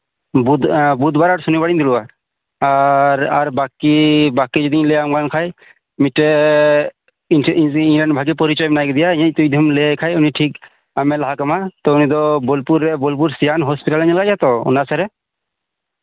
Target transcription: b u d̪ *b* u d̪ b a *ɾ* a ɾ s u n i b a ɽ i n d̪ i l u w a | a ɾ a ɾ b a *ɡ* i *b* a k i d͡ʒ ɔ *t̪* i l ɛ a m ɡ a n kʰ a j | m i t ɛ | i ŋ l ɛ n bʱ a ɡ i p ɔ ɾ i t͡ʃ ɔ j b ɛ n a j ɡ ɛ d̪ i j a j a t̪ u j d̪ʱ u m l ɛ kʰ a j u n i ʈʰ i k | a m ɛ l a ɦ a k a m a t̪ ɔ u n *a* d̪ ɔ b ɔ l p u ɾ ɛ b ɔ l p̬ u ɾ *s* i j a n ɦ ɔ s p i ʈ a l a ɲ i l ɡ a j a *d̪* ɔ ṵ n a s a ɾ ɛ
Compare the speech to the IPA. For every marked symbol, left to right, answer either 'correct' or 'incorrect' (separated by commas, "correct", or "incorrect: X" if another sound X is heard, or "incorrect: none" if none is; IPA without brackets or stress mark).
correct, correct, incorrect: k, correct, incorrect: d̪, incorrect: i, correct, incorrect: t̪